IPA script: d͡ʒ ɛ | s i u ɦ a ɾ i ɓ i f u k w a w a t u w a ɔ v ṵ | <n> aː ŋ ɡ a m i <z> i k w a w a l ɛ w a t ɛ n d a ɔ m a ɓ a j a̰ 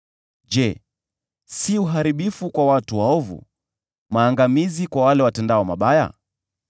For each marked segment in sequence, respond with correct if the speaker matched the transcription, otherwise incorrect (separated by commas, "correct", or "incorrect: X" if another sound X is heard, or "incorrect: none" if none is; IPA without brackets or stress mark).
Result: incorrect: m, correct